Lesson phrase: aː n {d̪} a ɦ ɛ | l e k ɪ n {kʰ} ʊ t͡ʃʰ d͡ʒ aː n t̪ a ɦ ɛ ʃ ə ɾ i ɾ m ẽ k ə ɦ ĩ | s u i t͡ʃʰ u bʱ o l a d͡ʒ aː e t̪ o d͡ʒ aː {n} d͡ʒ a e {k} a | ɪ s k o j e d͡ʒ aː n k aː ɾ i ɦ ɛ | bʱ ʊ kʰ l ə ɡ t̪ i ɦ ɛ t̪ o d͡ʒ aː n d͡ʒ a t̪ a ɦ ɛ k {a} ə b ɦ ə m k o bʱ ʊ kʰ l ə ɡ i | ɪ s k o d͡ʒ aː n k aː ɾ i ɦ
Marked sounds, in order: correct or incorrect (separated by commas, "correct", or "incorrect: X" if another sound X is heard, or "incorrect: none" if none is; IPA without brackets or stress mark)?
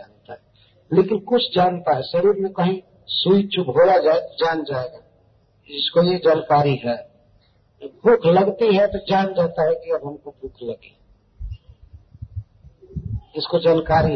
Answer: incorrect: t̪, incorrect: k, correct, incorrect: ɡ, incorrect: i